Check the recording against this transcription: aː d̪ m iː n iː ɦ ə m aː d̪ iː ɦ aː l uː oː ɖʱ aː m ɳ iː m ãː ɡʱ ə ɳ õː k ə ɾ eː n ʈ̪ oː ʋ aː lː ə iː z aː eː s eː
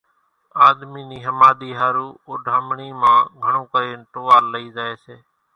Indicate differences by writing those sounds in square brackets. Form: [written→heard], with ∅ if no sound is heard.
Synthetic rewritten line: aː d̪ m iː n iː ɦ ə m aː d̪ iː ɦ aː [l→ɾ] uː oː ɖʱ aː m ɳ iː m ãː ɡʱ ə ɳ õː k ə ɾ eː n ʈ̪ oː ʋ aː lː ə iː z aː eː s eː